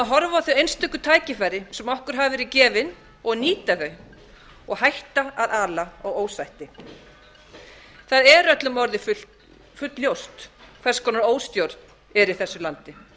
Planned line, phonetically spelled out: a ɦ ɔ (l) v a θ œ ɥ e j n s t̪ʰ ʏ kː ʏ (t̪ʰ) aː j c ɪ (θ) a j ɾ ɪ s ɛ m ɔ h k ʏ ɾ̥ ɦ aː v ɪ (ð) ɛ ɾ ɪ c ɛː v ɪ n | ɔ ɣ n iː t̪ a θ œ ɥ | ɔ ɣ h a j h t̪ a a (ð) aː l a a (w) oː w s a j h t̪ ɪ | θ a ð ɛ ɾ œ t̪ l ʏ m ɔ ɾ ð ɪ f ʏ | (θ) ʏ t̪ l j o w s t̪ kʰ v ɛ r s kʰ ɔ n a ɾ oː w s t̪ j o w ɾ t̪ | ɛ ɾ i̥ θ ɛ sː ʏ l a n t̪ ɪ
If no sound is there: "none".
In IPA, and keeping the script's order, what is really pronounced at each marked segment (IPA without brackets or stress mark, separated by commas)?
ɾ, t̪ʰ, f, v, ð, ɣ, f